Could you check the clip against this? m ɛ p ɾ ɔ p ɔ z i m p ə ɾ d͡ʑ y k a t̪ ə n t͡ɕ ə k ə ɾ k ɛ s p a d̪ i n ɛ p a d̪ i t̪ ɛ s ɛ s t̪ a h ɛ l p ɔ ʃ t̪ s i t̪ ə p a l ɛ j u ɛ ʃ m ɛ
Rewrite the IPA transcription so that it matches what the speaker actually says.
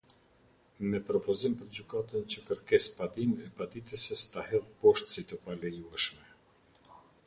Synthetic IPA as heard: m ɛ p ɾ ɔ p ɔ z i m p ə ɾ d͡ʑ y k a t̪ ə n t͡ɕ ə k ə ɾ k ɛ s p a d̪ i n ɛ p a d̪ i t̪ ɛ s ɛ s t̪ a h ɛ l p ɔ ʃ t̪ s i t̪ ə p a l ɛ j u ɛ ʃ m ɛ